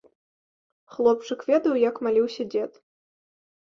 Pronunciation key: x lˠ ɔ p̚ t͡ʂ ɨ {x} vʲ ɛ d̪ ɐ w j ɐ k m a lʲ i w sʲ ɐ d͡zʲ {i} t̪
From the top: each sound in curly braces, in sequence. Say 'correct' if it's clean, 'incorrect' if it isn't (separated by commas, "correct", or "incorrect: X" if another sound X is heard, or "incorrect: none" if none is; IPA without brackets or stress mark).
incorrect: k, incorrect: ɛ